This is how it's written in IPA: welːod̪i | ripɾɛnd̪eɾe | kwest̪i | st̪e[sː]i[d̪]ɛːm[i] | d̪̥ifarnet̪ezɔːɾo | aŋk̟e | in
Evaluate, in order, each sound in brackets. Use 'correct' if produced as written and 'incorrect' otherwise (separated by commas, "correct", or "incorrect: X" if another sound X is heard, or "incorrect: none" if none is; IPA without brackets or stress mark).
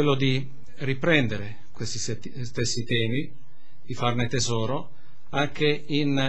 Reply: correct, incorrect: t̪, correct